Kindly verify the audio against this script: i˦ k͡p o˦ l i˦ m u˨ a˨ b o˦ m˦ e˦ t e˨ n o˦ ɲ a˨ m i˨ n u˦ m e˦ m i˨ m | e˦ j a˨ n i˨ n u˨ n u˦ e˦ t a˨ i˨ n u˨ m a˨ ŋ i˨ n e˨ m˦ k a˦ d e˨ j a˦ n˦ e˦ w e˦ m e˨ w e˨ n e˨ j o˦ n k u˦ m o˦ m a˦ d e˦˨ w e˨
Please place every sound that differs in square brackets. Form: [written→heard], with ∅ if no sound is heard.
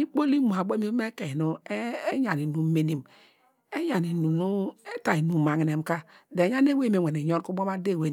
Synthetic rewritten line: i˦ k͡p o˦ l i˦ m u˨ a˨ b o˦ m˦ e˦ [t→k] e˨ n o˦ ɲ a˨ [m→n] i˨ n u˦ m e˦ [m→n] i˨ m | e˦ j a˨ n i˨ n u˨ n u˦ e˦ t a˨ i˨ n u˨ m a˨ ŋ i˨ n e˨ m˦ k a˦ d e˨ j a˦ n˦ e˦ w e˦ m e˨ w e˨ n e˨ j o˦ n k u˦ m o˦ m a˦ d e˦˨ w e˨

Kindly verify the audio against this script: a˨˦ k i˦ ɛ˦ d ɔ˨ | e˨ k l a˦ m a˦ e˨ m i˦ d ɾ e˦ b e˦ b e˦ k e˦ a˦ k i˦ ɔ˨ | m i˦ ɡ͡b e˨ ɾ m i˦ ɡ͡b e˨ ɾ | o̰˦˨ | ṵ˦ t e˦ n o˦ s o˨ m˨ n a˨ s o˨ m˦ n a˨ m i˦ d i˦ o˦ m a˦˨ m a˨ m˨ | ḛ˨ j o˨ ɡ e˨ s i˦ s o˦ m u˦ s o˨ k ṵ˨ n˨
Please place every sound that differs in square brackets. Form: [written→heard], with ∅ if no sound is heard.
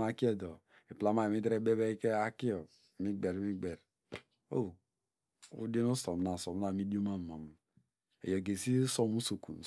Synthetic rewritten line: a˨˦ k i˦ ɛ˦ d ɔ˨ | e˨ [k→p] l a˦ m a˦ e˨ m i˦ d ɾ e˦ b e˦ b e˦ k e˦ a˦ k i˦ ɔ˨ | m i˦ ɡ͡b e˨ ɾ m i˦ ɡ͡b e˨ ɾ | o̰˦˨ | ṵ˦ [t→d] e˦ n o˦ s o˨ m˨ n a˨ s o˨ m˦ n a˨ m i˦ d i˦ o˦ m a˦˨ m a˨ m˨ | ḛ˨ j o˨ ɡ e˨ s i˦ s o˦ m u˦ s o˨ k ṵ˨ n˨

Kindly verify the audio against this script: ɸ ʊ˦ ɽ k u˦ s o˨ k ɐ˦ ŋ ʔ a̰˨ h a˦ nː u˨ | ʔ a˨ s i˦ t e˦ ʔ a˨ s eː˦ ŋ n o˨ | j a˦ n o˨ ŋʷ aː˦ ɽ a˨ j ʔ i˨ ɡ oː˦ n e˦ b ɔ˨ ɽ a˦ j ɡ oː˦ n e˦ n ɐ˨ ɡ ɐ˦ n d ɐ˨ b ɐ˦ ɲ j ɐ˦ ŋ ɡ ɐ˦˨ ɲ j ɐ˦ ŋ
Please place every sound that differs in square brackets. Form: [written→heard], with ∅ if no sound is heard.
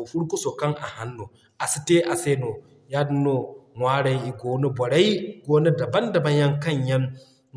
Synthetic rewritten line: ɸ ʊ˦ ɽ k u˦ s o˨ k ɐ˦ ŋ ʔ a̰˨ h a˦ nː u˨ | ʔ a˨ s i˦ t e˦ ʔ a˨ s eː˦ [ŋ→∅] n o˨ | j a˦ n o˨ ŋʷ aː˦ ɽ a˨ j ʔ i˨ ɡ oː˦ n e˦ b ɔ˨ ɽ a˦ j ɡ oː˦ n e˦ [n→d] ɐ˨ [ɡ→b] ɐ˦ n d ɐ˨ b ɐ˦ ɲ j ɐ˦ ŋ [ɡ→k] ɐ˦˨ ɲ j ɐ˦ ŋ

